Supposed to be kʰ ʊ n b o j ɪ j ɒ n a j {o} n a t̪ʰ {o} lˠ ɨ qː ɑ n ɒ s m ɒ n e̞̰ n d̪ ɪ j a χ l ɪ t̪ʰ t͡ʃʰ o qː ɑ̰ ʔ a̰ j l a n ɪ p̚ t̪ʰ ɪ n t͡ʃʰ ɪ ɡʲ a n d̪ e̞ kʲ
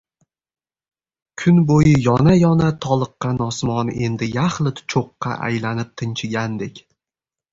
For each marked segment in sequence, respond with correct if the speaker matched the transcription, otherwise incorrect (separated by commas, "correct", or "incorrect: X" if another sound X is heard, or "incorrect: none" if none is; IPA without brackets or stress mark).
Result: incorrect: ɒ, incorrect: ɒ